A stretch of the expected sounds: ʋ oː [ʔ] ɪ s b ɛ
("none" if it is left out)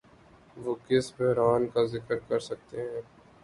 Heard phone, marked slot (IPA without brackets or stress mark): k